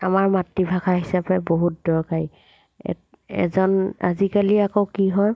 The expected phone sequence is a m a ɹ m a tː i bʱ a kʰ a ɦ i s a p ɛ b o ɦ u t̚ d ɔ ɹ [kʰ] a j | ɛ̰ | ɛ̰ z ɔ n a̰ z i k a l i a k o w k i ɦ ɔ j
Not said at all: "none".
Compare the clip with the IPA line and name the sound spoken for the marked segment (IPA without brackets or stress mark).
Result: k